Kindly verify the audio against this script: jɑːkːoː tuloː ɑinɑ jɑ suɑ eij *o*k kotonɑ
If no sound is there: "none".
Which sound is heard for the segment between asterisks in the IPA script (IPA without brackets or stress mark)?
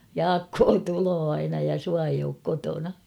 oː